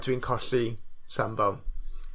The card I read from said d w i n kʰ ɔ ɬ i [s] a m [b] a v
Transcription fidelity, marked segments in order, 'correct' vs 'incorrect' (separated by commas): correct, correct